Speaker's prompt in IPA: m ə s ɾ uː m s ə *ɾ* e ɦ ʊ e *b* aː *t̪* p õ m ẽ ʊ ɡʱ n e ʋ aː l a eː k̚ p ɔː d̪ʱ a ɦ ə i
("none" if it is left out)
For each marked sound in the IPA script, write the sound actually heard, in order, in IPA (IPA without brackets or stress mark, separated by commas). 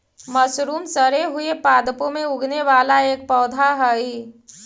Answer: ɾ, p, d̪